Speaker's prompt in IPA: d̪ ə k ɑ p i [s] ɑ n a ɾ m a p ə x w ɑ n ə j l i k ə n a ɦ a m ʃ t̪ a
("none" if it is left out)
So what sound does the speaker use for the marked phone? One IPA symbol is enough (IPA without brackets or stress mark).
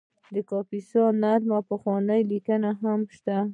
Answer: s